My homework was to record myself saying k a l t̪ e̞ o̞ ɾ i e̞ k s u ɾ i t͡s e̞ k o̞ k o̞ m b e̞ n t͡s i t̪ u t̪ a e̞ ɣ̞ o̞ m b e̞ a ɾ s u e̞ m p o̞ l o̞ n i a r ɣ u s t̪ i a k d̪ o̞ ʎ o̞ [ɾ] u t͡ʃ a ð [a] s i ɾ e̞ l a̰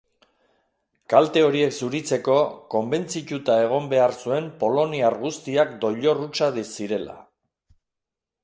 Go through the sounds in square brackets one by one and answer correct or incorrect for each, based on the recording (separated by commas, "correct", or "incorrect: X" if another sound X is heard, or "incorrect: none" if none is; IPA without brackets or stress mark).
incorrect: r, incorrect: i